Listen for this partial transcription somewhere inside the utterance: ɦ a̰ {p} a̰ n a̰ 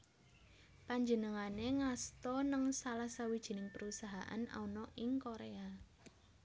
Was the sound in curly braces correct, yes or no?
no